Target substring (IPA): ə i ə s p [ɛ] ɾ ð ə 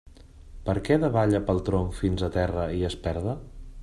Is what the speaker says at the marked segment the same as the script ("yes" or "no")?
yes